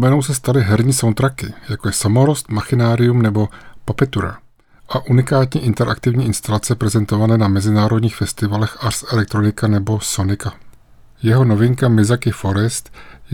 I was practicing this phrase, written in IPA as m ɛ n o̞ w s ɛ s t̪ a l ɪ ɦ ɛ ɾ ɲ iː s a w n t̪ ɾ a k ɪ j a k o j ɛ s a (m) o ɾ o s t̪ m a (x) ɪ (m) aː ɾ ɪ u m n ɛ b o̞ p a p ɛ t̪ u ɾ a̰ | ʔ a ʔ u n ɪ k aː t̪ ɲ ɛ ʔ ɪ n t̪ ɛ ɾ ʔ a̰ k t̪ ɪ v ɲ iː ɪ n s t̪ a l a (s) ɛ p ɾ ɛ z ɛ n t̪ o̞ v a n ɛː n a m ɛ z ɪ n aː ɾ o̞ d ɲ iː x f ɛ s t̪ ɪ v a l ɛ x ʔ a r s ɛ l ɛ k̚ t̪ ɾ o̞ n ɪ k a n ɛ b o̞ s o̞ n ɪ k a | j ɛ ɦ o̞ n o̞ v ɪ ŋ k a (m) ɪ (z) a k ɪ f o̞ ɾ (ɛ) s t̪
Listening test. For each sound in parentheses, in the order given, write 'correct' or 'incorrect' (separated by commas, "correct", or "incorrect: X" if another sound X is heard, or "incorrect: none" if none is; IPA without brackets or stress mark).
correct, correct, incorrect: n, incorrect: t͡s, correct, correct, correct